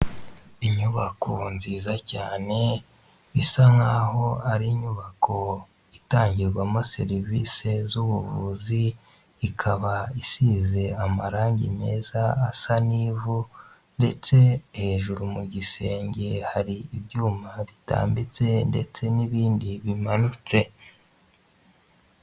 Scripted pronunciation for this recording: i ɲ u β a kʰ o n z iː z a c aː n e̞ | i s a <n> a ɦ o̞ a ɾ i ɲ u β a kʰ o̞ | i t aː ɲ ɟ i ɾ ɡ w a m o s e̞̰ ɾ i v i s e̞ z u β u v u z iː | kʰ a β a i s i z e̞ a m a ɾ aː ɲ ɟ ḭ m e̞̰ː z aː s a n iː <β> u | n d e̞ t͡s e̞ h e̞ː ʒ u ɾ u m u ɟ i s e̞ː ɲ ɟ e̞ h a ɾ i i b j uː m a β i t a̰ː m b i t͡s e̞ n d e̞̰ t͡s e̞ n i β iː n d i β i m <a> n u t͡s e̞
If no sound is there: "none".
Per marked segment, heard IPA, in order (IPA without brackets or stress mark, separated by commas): ŋ, v, a